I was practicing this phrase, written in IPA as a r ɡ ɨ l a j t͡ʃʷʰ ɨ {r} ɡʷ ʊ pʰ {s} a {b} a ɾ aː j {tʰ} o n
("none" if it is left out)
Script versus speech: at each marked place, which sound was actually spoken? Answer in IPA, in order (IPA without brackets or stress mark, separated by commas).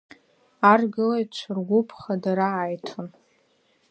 r, χ, d, tʰ